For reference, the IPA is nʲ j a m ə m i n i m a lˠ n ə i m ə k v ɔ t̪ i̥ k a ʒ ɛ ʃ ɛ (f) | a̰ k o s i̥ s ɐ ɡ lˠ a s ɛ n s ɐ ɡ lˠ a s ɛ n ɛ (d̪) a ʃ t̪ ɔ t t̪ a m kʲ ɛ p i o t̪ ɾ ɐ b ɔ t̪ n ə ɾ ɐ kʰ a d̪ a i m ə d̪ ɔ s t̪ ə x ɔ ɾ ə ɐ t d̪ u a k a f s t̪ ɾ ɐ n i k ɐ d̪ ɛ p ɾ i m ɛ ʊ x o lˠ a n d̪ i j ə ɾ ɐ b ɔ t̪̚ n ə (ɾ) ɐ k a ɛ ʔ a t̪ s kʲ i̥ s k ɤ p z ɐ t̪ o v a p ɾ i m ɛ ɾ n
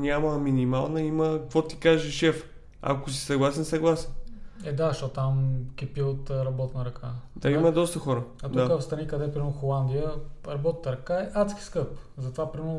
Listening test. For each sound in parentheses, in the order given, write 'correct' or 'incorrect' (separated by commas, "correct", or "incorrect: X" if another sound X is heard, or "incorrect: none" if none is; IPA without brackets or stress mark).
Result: correct, correct, correct